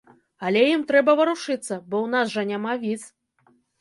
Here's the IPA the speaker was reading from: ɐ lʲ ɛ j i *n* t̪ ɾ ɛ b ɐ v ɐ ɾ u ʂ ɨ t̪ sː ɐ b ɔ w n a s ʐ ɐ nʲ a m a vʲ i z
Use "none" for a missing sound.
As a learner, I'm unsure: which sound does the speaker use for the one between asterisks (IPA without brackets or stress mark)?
m